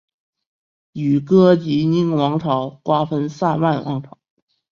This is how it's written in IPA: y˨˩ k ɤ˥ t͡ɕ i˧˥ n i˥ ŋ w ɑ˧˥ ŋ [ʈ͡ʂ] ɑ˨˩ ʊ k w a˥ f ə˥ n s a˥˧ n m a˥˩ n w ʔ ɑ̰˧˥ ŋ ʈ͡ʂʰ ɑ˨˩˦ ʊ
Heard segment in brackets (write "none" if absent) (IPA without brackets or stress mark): ʈ͡ʂʰ